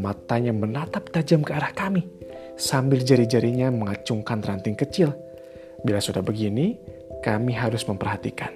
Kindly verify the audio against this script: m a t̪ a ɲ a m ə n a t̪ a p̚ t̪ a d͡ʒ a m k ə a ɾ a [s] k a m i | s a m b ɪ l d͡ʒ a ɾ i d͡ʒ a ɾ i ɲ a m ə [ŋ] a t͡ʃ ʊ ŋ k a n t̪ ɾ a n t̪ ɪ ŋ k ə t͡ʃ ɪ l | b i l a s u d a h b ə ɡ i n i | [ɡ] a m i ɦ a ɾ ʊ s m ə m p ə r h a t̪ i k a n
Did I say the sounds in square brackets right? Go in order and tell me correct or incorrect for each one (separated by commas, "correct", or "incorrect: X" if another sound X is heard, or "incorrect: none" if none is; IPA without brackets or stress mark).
incorrect: h, correct, incorrect: k